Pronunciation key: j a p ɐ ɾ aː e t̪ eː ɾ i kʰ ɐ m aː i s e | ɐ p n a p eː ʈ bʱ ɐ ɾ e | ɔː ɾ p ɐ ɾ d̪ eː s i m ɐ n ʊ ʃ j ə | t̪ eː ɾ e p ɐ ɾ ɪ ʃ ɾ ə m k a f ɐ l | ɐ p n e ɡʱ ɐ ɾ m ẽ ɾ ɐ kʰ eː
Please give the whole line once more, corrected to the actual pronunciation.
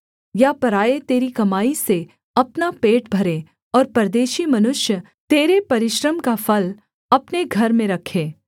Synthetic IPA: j a p ɐ ɾ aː e t̪ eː ɾ i k ɐ m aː i s e | ɐ p n a p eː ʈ bʱ ɐ ɾ e | ɔː ɾ p ɐ ɾ d̪ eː ʃ i m ɐ n ʊ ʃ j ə | t̪ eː ɾ e p ɐ ɾ ɪ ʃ ɾ ə m k a f ɐ l | ɐ p n e ɡʱ ɐ ɾ m ẽ ɾ ɐ kʰ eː

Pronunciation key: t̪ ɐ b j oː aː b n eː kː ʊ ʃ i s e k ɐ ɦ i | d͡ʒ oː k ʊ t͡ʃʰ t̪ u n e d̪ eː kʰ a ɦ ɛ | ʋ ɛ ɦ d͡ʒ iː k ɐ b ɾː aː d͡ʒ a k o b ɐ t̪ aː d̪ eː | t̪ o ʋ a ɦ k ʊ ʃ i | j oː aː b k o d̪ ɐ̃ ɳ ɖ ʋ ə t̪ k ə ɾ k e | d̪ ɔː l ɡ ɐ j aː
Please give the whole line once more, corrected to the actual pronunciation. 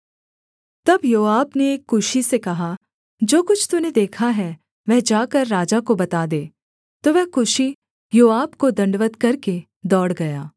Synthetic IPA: t̪ ɐ b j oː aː b n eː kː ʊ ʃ i s e k ɐ ɦ a | d͡ʒ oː k ʊ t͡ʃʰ t̪ u n e d̪ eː kʰ a ɦ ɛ | ʋ ɛ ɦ d͡ʒ aː k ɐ ɾː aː d͡ʒ a k o b ɐ t̪ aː d̪ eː | t̪ o ʋ ɛ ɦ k ʊ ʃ i | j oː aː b k o d̪ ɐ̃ ɳ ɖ ʋ ə t̪ k ɐ ɾ k e | d̪ ɔː ɽ ɡ ɐ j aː

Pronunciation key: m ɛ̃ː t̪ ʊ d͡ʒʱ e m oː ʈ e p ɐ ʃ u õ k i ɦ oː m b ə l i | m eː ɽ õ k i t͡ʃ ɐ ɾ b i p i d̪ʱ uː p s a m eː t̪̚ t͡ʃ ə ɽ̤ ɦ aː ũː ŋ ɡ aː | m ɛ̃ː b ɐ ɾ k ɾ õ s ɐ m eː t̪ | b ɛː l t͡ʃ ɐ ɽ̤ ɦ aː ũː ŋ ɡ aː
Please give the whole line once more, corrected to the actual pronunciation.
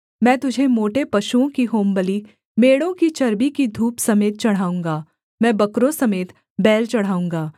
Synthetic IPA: m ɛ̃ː t̪ ʊ d͡ʒʱ e m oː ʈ e p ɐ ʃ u õ k i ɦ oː m b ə l i | m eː ɽ õ k i t͡ʃ ɐ ɾ b i k i d̪ʱ uː p s ɐ m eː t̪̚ t͡ʃ ɐ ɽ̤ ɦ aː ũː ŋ ɡ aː | m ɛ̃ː b ɐ k ɾ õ s ɐ m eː t̪ | b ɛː l t͡ʃ ɐ ɽ̤ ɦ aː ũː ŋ ɡ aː

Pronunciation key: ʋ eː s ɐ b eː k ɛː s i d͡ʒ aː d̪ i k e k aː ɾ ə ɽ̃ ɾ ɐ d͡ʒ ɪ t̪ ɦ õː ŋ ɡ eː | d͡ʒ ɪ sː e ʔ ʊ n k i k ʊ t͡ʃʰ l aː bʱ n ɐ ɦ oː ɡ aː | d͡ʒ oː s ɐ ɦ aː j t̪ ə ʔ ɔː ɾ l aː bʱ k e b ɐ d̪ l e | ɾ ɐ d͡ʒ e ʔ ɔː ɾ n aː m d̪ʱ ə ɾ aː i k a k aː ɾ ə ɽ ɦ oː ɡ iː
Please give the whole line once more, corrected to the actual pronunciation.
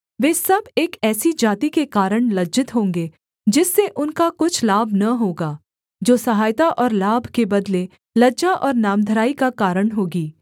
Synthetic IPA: ʋ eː s ɐ b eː k ɛː s i d͡ʒ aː t̪ i k e k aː ɾ ə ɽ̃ l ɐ d͡ʒ ɪ t̪ ɦ õː ŋ ɡ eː | d͡ʒ ɪ sː e ʔ ʊ n k a k ʊ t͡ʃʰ l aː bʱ n ɐ ɦ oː ɡ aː | d͡ʒ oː s ɐ ɦ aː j t̪ a ʔ ɔː ɾ l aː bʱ k e b ɐ d̪ l e | l ɐ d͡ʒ a ʔ ɔː ɾ n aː m d̪ʱ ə ɾ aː i k a k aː ɾ ə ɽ ɦ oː ɡ iː

